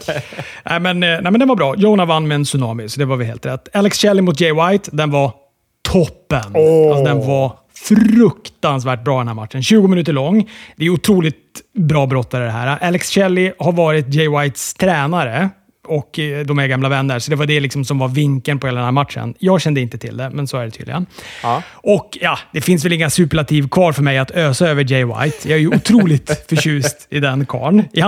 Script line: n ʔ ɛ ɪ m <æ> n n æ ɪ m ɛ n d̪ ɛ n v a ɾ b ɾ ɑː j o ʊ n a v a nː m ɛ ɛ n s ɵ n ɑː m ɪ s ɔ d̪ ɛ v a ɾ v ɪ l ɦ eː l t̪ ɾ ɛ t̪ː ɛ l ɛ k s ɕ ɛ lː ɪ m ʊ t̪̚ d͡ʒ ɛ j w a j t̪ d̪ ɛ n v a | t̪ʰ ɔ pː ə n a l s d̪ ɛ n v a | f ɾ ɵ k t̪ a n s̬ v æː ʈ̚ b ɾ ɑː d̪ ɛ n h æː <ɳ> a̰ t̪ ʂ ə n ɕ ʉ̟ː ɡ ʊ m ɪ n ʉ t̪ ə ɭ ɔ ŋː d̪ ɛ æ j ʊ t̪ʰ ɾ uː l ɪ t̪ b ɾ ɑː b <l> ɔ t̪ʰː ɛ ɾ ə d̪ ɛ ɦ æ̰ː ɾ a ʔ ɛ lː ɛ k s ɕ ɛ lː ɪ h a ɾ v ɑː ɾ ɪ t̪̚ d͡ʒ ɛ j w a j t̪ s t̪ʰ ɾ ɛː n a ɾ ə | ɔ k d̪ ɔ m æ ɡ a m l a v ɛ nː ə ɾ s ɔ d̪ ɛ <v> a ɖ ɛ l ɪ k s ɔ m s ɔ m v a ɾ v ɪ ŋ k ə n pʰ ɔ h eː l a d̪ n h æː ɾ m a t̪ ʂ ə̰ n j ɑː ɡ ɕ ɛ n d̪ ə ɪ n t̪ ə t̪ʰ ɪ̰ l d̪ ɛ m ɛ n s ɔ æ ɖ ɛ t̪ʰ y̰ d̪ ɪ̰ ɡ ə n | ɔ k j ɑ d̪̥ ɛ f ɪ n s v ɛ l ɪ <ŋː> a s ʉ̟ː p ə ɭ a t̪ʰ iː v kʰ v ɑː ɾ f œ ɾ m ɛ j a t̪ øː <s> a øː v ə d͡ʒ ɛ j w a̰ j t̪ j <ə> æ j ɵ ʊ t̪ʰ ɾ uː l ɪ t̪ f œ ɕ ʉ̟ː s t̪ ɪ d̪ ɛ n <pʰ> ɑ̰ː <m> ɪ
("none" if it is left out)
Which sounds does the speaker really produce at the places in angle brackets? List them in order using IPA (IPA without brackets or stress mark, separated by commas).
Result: ɛ, m, ɾ, v, ŋː, s, ɑ, kʰ, ɳ